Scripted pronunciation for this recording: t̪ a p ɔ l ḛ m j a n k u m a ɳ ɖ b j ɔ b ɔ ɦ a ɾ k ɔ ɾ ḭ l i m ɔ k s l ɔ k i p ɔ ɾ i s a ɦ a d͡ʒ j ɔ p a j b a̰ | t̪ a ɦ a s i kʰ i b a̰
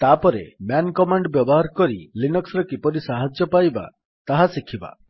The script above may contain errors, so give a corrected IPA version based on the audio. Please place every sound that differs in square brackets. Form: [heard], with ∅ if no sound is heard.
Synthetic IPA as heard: t̪ a p ɔ [ɾ] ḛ m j a n k [ɔ] m a ɳ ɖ b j ɔ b ɔ ɦ a ɾ k ɔ ɾ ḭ l i [n] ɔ k s [ɾ] ɔ k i p ɔ ɾ i s a ɦ a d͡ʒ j ɔ p a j b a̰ | t̪ a ɦ a s i kʰ i b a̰

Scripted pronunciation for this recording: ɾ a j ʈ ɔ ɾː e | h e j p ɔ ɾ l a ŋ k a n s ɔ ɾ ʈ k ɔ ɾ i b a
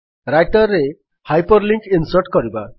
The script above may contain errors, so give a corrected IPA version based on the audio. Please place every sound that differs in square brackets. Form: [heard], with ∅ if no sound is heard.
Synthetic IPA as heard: ɾ a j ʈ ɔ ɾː e | h [a] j p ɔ ɾ l [i] ŋ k [i] n s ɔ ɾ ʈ k ɔ ɾ i b a

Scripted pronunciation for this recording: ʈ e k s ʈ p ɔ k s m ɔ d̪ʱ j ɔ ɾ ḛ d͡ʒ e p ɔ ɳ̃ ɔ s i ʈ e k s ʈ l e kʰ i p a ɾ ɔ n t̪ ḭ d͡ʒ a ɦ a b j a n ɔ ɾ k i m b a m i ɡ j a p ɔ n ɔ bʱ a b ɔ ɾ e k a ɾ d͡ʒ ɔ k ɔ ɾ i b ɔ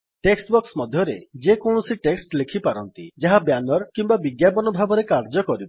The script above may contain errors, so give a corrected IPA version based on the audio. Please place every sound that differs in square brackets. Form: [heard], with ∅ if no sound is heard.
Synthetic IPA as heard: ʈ e k s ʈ [b] ɔ k s m ɔ d̪ʱ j ɔ ɾ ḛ d͡ʒ e [k] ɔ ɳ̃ ɔ s i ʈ e k s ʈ l e kʰ i p a ɾ ɔ n t̪ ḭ d͡ʒ a ɦ a b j a n ɔ ɾ k i m b a [b] i ɡ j a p ɔ n ɔ bʱ a b ɔ ɾ e k a ɾ d͡ʒ ɔ k ɔ ɾ i b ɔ

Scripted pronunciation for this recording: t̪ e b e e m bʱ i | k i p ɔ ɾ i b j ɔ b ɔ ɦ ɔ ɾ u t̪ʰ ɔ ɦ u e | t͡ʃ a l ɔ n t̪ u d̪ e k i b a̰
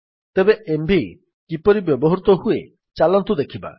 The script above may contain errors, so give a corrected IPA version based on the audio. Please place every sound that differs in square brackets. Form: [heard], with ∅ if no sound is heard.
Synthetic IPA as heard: t̪ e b e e m bʱ i | k i p ɔ ɾ i b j ɔ b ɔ ɦ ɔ ɾ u [t̪] ɔ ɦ u e | t͡ʃ a l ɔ n t̪ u d̪ e [kʰ] i b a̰

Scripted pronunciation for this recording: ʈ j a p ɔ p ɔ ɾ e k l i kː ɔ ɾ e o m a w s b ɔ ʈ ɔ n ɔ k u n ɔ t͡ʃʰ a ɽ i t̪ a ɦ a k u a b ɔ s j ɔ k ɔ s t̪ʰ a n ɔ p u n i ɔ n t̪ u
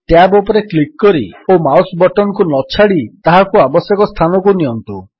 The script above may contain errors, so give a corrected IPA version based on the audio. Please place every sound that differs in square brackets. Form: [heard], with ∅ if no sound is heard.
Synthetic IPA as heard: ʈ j a [b] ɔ p ɔ ɾ e k l i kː ɔ ɾ [i] o m a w s b ɔ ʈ ɔ n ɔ k u n ɔ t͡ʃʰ a ɽ i t̪ a ɦ a k u a b ɔ s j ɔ k ɔ s t̪ʰ a n ɔ [k] u n i ɔ n t̪ u

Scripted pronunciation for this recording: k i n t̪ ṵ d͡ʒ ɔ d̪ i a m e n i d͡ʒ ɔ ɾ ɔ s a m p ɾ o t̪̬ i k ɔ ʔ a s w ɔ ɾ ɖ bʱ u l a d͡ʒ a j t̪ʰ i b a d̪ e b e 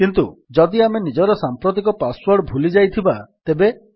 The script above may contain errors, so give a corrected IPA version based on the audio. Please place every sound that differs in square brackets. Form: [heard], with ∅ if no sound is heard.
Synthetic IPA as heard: k i n t̪ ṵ d͡ʒ ɔ d̪ i a m e n i d͡ʒ ɔ ɾ ɔ s a m p ɾ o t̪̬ i k ɔ [p] a s w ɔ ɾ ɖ bʱ u l [i] d͡ʒ a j t̪ʰ i b a [t̪] e b e

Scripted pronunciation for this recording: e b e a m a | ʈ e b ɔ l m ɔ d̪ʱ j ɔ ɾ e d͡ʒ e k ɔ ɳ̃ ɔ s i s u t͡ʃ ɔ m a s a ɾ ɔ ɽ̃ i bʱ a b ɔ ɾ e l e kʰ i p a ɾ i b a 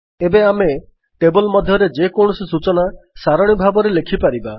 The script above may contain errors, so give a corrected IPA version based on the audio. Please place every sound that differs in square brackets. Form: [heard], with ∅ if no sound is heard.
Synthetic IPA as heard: e b e a m [e] | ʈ e b ɔ l m ɔ d̪ʱ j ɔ ɾ e d͡ʒ e k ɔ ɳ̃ ɔ s i s u t͡ʃ ɔ [n] a s a ɾ ɔ ɽ̃ i bʱ a b ɔ ɾ e l e kʰ i p a ɾ i b a

